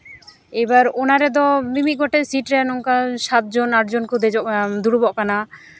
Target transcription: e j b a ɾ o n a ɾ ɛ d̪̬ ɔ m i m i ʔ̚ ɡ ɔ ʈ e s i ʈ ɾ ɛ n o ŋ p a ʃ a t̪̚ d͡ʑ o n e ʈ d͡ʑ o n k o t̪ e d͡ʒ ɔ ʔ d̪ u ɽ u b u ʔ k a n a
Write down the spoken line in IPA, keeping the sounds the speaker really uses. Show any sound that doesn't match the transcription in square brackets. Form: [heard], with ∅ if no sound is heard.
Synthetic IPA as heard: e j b a ɾ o n a ɾ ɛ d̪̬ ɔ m i m i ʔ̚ ɡ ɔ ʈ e s i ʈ ɾ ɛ n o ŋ [k] a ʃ a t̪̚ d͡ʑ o n [a] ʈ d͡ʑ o n k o [d̪] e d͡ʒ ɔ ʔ d̪ u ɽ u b [ɔ] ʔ k a n a